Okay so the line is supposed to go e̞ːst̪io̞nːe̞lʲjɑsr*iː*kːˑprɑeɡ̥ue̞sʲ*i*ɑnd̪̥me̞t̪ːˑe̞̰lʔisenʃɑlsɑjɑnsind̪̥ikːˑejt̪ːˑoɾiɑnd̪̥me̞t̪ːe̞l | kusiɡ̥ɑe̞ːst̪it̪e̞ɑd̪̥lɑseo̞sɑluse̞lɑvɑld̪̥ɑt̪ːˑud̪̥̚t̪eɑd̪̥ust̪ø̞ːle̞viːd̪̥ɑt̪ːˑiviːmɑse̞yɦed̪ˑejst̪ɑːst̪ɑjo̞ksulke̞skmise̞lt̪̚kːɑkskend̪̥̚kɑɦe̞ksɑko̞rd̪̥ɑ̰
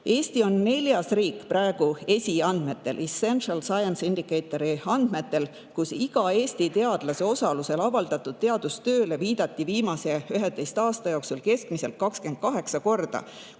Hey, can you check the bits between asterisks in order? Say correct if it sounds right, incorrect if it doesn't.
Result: correct, correct

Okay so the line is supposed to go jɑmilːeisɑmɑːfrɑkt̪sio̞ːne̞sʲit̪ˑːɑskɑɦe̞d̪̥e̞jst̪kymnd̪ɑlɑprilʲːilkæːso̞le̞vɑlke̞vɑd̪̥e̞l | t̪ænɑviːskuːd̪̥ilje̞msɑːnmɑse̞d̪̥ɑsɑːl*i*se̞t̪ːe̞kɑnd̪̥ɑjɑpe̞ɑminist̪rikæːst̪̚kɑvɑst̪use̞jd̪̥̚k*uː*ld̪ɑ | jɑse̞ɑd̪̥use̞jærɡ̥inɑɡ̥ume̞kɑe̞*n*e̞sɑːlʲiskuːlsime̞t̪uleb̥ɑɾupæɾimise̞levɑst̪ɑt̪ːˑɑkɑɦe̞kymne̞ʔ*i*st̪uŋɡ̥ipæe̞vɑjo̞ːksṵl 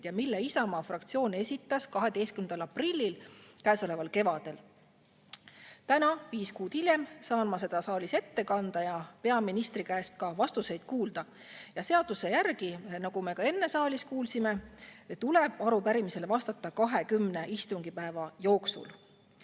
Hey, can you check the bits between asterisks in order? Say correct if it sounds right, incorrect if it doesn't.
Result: correct, correct, incorrect, correct

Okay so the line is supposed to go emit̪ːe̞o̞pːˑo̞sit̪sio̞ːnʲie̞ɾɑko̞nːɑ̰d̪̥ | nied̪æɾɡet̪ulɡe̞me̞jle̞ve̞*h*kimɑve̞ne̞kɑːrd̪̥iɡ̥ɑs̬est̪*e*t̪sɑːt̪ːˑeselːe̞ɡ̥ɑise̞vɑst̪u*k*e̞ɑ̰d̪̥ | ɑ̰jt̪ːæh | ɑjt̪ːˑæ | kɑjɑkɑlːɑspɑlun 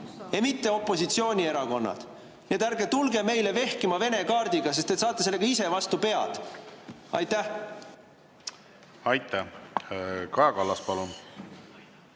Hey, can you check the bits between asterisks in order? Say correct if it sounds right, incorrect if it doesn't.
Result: correct, correct, incorrect

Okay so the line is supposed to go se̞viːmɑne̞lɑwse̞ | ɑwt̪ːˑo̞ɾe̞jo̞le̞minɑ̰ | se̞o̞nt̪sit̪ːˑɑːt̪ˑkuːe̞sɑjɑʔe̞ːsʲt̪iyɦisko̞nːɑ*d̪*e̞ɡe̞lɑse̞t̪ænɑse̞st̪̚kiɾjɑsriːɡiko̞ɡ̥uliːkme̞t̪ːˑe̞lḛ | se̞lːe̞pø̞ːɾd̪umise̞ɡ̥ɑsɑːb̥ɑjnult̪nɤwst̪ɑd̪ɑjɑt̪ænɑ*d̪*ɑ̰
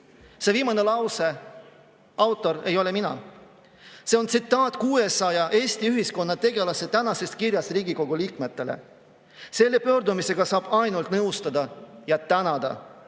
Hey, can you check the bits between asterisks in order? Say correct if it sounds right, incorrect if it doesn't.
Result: incorrect, correct

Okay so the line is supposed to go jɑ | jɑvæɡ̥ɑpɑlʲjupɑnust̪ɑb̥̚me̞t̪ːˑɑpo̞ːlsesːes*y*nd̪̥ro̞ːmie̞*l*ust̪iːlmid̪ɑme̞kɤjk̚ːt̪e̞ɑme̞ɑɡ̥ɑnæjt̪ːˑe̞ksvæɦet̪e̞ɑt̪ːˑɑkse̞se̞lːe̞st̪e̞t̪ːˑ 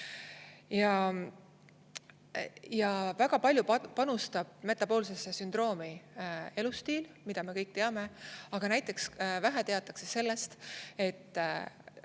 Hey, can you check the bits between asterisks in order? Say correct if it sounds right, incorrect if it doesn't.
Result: correct, correct

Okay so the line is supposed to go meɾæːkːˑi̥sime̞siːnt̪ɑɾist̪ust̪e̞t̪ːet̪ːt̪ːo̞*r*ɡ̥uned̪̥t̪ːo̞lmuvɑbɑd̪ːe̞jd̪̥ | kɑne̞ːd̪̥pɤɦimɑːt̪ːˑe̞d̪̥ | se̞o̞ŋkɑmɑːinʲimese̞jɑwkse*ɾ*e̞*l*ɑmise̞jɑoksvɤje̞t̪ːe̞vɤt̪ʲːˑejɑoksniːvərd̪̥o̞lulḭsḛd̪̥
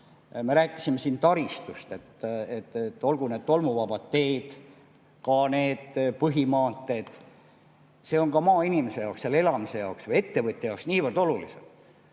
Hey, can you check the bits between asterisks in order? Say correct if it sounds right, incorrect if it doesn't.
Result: incorrect, incorrect, correct

